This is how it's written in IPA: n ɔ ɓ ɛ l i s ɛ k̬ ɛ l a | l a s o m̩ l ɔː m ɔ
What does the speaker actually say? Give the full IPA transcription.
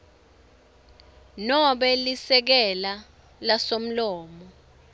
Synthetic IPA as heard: n ɔ ɓ ɛ l i s ɛ k̬ ɛ l a | l a s o m̩ l ɔː m ɔ